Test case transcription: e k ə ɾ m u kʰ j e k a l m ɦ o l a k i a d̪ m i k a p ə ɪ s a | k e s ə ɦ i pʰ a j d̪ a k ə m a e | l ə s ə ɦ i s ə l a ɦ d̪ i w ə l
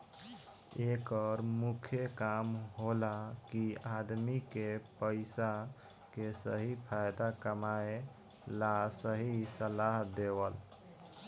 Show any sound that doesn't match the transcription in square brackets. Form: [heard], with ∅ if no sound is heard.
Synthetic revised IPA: e k ə ɾ m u kʰ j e k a [∅] m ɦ o l a k i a d̪ m i k [e] p ə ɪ s a | k e s ə ɦ i pʰ a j d̪ a k ə m a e | l [a] s ə ɦ i s ə l a ɦ d̪ [e] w ə l